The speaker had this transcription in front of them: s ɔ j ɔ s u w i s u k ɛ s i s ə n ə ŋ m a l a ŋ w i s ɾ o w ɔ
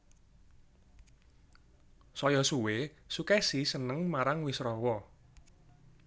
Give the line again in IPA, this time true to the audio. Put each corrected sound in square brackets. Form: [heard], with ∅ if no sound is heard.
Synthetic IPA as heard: s ɔ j ɔ s u w [e] s u k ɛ s i s ə n ə ŋ m a [ɾ] a ŋ w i s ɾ [ɔ] w ɔ